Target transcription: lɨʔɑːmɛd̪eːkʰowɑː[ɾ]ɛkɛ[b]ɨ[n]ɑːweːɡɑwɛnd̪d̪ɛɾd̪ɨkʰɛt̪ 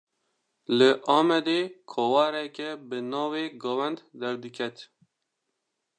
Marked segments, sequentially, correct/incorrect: correct, correct, correct

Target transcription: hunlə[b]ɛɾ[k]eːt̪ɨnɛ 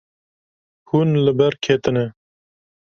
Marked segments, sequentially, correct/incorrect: correct, incorrect: kʰ

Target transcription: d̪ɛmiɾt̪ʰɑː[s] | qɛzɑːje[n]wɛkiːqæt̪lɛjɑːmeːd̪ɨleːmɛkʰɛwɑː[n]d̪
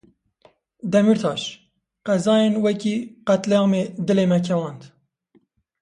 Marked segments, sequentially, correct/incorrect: incorrect: ʃ, correct, correct

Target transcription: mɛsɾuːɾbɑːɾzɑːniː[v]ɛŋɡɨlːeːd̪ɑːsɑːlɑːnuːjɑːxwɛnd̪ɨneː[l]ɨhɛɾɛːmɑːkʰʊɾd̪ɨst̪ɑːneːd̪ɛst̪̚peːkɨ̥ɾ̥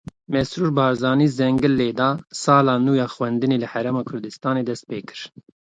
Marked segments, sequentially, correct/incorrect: incorrect: z, correct

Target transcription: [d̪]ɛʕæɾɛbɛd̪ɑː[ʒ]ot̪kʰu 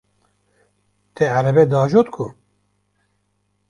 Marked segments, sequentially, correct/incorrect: incorrect: t̪, correct

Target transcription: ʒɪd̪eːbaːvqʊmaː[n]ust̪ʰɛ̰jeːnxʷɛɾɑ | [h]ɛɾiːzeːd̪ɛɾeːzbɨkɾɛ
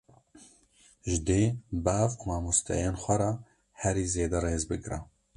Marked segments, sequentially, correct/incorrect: incorrect: m, correct

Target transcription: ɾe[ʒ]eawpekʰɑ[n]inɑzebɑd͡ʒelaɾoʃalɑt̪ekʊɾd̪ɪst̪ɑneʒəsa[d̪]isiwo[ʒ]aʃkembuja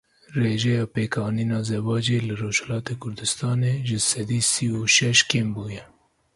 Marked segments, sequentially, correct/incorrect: correct, correct, correct, incorrect: ʃ

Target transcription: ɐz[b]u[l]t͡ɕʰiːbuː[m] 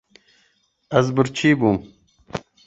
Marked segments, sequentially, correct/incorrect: correct, incorrect: ɾ, correct

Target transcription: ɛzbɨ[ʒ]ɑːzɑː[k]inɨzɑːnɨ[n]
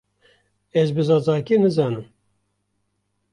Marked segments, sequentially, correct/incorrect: incorrect: z, correct, incorrect: m

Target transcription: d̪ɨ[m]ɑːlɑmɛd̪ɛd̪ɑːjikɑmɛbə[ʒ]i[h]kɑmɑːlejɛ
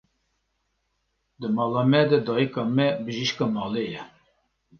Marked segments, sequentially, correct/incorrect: correct, correct, incorrect: ʃ

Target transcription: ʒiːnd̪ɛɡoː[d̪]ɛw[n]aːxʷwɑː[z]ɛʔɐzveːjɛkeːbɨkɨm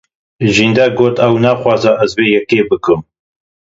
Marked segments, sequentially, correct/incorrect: incorrect: t̪, correct, correct

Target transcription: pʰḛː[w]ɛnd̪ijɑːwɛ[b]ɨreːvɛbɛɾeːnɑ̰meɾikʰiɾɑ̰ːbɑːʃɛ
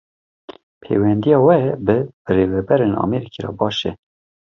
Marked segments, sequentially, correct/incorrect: correct, correct

